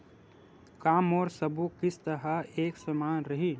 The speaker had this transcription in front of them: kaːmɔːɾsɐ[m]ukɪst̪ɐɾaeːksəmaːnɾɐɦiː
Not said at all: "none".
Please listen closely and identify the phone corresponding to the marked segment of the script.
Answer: b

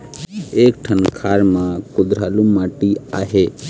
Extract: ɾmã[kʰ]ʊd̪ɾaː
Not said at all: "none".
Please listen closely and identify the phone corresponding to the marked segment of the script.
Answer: k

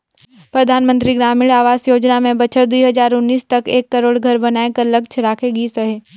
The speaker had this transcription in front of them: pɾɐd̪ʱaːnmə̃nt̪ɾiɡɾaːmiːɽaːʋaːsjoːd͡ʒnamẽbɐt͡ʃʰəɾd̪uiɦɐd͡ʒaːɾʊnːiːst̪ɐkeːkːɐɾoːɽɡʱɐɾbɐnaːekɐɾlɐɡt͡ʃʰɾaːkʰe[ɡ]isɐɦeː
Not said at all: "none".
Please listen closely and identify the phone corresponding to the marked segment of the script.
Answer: ɡ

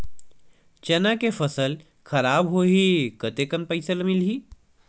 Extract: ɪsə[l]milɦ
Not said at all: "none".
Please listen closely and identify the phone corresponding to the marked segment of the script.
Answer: l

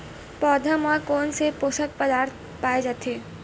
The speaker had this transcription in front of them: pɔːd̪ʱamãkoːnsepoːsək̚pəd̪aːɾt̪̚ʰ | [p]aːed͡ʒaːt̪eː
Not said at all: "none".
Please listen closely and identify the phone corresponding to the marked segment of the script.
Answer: p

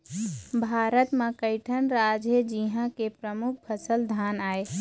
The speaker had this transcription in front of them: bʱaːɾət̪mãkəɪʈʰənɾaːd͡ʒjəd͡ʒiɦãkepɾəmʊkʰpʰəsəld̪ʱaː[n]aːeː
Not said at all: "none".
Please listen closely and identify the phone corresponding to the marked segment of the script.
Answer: n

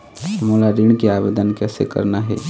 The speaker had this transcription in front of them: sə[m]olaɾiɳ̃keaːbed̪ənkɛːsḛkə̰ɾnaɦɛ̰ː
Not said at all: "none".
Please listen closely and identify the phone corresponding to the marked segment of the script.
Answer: m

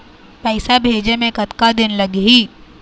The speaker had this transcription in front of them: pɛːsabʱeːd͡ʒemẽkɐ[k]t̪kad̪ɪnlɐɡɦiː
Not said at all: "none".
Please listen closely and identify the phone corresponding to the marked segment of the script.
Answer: none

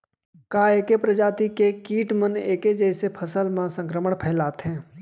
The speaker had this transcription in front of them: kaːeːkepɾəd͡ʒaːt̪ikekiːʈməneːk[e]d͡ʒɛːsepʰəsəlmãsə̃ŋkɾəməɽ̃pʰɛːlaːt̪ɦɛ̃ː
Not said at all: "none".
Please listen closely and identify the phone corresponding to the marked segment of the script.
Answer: e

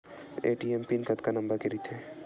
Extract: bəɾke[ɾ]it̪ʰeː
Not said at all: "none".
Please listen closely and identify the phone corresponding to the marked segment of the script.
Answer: ɾ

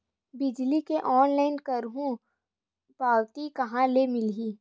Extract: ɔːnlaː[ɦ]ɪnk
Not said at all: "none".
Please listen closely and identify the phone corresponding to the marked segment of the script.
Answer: none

